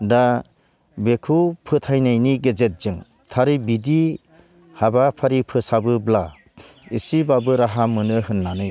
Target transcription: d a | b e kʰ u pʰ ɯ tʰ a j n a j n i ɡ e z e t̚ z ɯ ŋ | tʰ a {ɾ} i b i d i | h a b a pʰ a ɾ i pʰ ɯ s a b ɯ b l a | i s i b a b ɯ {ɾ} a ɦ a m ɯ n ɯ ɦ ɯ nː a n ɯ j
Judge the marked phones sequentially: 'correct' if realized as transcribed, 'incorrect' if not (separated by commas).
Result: correct, correct